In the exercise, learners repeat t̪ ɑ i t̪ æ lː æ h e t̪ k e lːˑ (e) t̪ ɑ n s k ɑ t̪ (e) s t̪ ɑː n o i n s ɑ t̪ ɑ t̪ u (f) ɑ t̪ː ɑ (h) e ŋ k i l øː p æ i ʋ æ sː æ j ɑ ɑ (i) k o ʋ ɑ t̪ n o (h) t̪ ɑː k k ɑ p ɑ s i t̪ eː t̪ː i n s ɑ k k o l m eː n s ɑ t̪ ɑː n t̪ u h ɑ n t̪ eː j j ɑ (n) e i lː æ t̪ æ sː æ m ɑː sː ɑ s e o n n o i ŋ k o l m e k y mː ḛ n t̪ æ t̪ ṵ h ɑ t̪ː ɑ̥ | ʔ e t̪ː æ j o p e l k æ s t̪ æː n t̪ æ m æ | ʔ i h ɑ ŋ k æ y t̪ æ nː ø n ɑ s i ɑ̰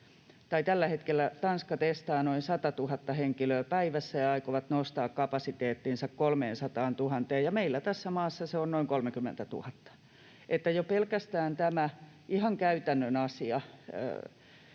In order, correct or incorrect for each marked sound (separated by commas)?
incorrect, correct, incorrect, correct, correct, incorrect, incorrect